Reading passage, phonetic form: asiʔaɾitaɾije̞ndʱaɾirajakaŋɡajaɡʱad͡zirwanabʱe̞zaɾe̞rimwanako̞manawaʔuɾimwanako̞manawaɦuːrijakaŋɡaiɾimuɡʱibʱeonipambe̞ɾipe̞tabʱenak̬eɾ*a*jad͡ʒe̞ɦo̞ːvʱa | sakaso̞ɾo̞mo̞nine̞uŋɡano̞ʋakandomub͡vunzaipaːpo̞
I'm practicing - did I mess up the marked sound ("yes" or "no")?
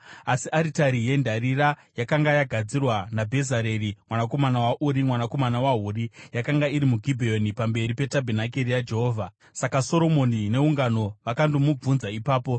yes